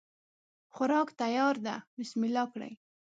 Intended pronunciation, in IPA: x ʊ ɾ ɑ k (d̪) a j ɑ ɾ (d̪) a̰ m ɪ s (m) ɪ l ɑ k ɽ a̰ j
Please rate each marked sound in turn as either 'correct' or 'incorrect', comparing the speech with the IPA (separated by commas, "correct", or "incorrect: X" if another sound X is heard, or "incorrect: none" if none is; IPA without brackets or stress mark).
incorrect: t̪, correct, correct